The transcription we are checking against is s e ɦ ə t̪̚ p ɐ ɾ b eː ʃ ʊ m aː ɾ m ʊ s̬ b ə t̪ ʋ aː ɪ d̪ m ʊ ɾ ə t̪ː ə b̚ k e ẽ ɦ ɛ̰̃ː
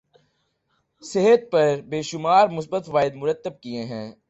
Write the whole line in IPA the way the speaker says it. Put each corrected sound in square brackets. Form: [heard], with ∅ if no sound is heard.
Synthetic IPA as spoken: s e ɦ ə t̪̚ p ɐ ɾ b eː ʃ ʊ m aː ɾ m ʊ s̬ b ə t̪ ʋ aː ɪ d̪ m ʊ ɾ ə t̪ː ə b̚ k [i] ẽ ɦ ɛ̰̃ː

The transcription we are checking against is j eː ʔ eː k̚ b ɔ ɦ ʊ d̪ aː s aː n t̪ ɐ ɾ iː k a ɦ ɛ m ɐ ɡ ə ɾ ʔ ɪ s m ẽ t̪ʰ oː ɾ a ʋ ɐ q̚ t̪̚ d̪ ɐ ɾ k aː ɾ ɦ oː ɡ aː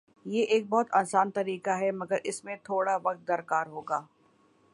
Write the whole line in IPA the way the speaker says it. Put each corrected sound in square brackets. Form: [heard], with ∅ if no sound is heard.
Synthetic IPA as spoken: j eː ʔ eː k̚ b ɔ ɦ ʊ [t̪] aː s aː n t̪ ɐ ɾ iː k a ɦ ɛ m ɐ ɡ ə ɾ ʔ ɪ s m ẽ t̪ʰ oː [ɽ] a ʋ ɐ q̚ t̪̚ d̪ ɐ ɾ k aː ɾ ɦ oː ɡ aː

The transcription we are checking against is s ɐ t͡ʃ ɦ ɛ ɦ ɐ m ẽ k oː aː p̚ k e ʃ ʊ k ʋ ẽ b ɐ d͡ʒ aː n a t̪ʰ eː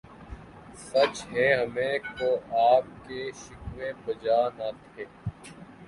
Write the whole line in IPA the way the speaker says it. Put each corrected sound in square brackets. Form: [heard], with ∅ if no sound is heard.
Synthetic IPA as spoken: s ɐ t͡ʃ ɦ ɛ ɦ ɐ m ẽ k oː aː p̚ k e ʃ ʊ k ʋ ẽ b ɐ d͡ʒ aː n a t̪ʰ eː

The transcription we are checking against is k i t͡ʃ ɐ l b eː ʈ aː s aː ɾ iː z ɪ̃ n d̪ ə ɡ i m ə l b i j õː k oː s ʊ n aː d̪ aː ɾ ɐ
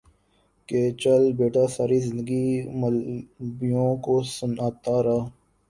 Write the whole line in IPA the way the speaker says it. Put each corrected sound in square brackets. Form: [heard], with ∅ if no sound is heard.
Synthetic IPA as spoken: k [e] t͡ʃ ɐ l b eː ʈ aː s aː ɾ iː z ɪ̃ n d̪ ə ɡ i m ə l b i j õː k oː s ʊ n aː [t̪] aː ɾ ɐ

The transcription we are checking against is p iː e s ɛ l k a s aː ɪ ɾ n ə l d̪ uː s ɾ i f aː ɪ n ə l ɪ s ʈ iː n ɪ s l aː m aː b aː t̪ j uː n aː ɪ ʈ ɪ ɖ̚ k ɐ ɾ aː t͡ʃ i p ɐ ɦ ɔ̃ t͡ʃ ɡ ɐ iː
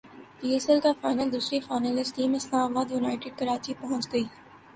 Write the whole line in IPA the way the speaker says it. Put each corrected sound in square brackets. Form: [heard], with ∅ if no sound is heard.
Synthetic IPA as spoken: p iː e s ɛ l k a [f] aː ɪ [∅] n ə l d̪ uː s ɾ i f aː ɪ n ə l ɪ s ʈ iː [m] ɪ s l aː m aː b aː [d̪] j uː n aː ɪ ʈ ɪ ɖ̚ k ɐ ɾ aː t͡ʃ i p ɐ ɦ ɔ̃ t͡ʃ ɡ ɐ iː

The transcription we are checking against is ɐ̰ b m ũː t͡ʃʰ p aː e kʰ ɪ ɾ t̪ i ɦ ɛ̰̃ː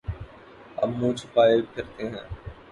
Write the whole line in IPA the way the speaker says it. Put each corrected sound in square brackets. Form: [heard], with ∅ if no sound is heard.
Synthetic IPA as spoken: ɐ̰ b m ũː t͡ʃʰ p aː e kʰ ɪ ɾ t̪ [e] ɦ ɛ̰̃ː

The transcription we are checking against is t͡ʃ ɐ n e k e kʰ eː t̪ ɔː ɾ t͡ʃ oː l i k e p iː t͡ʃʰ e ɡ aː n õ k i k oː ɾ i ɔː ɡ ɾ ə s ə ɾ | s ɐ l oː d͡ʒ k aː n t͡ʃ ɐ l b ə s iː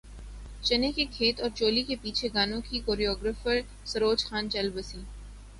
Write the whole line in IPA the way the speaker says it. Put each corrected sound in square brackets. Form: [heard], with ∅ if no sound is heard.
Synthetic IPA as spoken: t͡ʃ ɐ n e k e kʰ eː t̪ ɔː ɾ t͡ʃ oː l i k e p iː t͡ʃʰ e ɡ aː n õ k i k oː ɾ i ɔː ɡ ɾ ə [f] ə ɾ | s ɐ [ɾ] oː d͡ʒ [x] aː n t͡ʃ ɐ l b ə s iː

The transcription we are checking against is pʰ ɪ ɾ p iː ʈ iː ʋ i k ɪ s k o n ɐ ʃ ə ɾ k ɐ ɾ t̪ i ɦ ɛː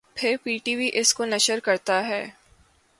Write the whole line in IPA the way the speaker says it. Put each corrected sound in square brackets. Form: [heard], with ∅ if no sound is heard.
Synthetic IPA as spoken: pʰ ɪ ɾ p iː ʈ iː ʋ i [ʔ] ɪ s k o n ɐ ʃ ə ɾ k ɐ ɾ t̪ [a] ɦ ɛː

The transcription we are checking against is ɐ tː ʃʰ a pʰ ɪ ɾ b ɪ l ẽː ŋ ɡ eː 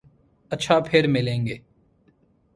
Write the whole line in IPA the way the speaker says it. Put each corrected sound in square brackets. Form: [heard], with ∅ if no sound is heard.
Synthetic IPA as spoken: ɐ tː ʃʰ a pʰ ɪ ɾ [m] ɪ l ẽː ŋ ɡ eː

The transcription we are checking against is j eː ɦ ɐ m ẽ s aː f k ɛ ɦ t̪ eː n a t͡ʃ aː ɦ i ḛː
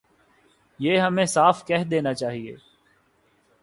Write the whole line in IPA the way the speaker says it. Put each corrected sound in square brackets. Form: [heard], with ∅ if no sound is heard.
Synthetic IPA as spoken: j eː ɦ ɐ m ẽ s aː f k ɛ ɦ [d̪] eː n a t͡ʃ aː ɦ i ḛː

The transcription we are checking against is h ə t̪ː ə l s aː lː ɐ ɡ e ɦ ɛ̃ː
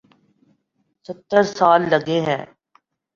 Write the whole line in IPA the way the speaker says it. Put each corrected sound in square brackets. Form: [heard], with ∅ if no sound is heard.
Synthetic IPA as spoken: [s] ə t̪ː ə [ɾ] s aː lː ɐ ɡ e ɦ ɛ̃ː

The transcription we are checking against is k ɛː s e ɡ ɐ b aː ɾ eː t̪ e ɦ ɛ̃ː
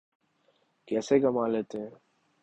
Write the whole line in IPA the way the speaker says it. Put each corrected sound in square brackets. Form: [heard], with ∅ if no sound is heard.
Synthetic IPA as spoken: k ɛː s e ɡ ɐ [m] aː [l] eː t̪ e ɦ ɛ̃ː

